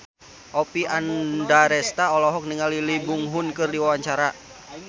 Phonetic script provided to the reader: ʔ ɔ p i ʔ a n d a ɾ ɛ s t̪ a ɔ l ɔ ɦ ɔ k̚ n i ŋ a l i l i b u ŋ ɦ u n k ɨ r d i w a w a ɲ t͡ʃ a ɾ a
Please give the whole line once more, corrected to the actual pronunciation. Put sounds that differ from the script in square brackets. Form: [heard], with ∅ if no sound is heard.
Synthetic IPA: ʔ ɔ p i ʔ a n d a ɾ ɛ s t̪ a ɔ l ɔ ɦ ɔ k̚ n i ŋ a l i l i b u ŋ ɦ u n k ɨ r d i w a w a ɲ t͡ʃ a ɾ a